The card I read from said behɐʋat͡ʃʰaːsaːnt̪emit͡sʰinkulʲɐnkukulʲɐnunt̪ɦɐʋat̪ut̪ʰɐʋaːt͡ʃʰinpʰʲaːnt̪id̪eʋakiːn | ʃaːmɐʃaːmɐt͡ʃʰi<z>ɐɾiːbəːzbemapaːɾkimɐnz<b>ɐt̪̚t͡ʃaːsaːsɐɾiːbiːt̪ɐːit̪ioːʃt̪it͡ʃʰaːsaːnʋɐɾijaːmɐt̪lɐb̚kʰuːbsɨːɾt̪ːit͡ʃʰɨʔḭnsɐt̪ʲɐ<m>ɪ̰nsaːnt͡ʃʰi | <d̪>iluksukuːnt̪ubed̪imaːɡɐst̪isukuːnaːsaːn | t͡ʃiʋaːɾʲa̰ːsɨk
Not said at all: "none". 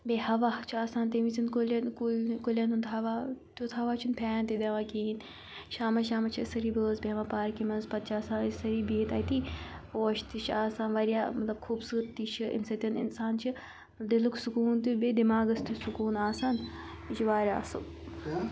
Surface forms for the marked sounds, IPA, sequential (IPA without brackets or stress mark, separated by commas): s, p, n, d̪